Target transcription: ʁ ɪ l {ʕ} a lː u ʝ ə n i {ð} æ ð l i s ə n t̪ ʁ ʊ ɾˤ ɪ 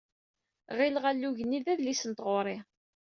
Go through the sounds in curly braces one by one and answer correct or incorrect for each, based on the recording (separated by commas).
incorrect, correct